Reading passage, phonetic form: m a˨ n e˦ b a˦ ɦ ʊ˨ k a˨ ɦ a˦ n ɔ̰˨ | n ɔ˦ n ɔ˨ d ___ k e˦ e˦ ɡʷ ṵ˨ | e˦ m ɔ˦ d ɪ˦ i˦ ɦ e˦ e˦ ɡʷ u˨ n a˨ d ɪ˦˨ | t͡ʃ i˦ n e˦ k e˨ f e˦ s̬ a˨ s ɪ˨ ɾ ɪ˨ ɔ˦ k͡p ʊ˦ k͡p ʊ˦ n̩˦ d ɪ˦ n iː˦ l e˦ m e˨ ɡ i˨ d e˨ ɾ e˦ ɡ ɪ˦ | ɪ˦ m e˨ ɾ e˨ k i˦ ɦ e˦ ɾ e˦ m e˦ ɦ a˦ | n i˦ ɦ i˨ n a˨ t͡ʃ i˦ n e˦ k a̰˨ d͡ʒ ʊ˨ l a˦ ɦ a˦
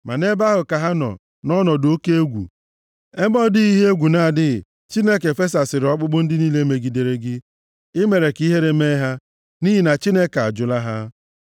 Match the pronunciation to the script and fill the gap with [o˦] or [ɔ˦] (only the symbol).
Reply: o˦